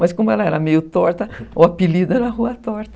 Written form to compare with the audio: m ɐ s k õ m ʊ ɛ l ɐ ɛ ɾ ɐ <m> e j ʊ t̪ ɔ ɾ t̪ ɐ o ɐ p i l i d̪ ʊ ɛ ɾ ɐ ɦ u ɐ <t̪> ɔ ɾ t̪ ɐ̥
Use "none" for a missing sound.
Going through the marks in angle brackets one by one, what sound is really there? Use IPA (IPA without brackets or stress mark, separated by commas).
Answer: m, t̪